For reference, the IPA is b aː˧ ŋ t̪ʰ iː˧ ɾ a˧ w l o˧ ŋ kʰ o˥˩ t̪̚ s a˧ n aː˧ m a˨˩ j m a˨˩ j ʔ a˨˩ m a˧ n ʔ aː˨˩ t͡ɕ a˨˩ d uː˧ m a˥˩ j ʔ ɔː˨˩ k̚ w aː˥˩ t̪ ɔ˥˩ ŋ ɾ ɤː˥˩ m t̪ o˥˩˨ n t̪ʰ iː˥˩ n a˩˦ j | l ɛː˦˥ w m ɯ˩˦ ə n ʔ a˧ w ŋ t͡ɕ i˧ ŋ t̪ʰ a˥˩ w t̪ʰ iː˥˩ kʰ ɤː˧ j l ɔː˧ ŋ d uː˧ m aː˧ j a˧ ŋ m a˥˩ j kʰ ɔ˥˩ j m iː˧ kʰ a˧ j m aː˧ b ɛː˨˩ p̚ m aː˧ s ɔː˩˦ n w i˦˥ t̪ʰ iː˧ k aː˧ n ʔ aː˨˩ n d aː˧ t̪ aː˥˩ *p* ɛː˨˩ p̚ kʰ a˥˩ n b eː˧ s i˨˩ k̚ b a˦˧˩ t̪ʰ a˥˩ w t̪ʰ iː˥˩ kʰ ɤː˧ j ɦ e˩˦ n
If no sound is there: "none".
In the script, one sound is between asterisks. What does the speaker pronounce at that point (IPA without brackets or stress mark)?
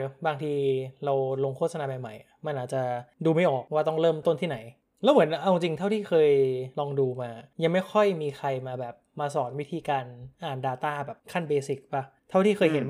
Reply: b